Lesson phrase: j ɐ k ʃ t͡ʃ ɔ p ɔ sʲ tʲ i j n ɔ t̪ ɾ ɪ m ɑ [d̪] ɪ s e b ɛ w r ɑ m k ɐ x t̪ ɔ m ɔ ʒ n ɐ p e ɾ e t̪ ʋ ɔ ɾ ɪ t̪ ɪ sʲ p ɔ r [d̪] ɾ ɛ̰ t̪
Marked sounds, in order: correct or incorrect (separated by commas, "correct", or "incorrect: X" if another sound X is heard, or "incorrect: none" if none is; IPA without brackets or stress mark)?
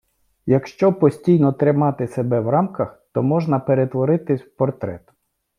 incorrect: t̪, incorrect: t̪